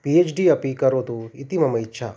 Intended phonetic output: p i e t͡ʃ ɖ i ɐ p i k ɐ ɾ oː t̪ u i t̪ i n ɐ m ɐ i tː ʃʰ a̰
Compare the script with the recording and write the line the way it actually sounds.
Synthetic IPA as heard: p i e t͡ʃ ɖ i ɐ p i k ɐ ɾ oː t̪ u i t̪ i m ɐ m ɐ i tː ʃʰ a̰